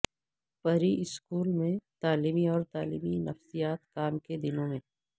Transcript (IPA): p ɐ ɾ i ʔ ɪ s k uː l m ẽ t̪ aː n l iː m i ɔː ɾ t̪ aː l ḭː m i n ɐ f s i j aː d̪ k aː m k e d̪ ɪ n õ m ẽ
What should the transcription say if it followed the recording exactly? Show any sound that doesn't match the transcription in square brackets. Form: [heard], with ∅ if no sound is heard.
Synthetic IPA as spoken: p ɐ ɾ i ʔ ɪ s k uː l m ẽ t̪ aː [∅] l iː m i ɔː ɾ t̪ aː l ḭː m i n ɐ f s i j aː [t̪] k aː m k e d̪ ɪ n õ m ẽ